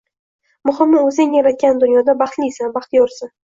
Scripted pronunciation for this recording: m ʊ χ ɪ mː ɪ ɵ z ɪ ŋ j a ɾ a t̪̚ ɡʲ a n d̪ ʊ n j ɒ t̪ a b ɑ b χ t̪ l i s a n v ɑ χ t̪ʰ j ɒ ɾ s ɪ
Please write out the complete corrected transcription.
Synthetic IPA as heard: m ʊ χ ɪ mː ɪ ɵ z ɪ ŋ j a ɾ a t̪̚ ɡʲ a n d̪ ʊ n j ɒ d̪ a b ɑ χ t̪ l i s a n b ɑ χ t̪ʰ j ɒ ɾ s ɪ

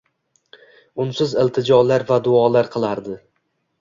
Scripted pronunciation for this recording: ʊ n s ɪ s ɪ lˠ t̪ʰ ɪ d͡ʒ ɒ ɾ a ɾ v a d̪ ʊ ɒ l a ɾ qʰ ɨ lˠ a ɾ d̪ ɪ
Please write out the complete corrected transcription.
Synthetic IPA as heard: ʊ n s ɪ z ɪ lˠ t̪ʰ ɪ d͡ʒ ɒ l a ɾ v a d̪ ʊ ɒ l a ɾ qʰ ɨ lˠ a ɾ d̪ ɪ

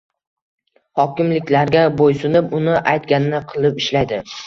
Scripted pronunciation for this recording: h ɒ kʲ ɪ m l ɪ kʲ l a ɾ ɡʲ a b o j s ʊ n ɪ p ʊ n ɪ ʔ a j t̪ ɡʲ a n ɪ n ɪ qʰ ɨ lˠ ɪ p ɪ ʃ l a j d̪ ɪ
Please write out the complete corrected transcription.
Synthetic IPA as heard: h ɒ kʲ ɪ m l ɪ kʲ l a ɾ ɡʲ a b o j s ʊ n ɪ p ʊ n ɪ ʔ a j t̪ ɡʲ a n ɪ n ɪ qʰ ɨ lˠ ɪ p ɪ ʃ l a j d̪ ɪ

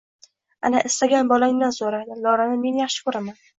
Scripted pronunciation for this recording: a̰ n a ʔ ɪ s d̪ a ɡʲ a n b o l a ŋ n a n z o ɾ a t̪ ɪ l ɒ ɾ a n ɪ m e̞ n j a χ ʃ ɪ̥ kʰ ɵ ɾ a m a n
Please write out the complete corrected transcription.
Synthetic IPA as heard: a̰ n a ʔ ɪ s t̪ a ɡʲ a n b ɒ l a ŋ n a n s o ɾ a d̪ ɪ l ɒ ɾ a n ɪ m e̞ n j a χ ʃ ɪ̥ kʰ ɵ ɾ a m a n

